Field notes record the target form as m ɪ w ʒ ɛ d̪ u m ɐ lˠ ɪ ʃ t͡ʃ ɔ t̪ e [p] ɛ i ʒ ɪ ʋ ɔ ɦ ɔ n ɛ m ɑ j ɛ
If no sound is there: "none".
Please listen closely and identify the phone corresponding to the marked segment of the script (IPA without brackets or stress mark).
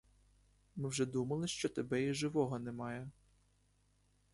b